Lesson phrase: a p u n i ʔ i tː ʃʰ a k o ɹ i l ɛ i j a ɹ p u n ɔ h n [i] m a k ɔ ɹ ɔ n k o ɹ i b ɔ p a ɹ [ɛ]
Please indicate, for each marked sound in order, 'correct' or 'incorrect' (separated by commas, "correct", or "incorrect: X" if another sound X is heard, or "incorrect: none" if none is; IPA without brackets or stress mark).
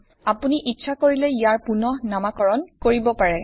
incorrect: a, correct